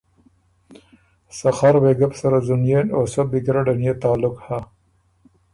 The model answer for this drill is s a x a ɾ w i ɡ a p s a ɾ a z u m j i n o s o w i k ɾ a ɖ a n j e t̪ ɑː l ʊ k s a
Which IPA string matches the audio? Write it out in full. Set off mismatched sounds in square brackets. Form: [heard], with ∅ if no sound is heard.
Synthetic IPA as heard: s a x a ɾ w [e] ɡ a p s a ɾ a z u [n] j [e] n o s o [b] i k ɾ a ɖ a n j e t̪ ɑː l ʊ k [h] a